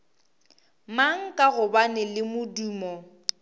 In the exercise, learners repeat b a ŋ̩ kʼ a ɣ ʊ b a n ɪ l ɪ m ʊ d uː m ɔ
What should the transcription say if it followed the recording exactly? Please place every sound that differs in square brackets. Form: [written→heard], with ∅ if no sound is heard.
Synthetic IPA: [b→m] a ŋ̩ kʼ a ɣ ʊ b a n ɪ l ɪ m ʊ d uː m ɔ